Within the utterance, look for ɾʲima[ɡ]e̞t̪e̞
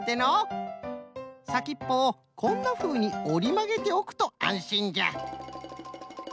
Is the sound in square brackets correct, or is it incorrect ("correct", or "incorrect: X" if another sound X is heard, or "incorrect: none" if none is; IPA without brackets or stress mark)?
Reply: correct